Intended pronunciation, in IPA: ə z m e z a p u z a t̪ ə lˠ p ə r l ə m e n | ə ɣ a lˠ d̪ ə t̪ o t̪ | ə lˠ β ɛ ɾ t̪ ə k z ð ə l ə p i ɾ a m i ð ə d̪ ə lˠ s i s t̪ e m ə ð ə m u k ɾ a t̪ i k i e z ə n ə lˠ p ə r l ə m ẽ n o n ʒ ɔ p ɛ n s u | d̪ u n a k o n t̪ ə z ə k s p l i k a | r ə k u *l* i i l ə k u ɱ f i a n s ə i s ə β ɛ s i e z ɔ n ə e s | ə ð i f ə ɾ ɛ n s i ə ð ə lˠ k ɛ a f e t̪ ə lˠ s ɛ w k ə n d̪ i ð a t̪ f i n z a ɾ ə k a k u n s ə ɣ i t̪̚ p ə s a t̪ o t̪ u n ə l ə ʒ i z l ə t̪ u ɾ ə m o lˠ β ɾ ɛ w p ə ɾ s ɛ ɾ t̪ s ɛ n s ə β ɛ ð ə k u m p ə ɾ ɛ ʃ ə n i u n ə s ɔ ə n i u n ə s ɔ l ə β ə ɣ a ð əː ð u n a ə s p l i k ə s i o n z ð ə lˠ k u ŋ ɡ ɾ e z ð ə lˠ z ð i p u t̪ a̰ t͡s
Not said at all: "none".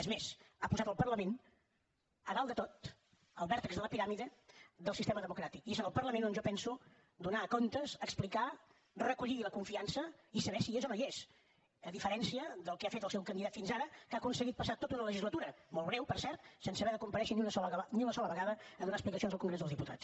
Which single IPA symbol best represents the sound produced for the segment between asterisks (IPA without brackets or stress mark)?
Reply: ʎ